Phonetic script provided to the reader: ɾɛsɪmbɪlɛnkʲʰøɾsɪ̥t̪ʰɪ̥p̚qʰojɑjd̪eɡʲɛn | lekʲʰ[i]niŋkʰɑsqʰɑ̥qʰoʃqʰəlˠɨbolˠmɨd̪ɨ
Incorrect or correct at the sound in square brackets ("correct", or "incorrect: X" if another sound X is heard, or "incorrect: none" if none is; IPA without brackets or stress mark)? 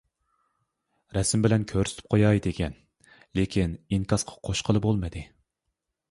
correct